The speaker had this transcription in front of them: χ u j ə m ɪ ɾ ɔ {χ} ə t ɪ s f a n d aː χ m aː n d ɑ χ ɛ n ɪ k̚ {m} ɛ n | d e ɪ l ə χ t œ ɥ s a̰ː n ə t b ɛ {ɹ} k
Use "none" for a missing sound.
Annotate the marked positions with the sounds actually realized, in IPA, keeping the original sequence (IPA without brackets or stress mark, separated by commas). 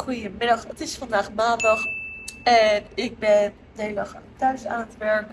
χ, b, ɹ